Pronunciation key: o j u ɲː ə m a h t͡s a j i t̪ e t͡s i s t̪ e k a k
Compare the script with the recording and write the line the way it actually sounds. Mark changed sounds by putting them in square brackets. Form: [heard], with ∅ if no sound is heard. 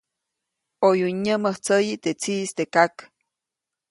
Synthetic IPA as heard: o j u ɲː ə m [ə] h t͡s [ə] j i t̪ e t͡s i s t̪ e k a k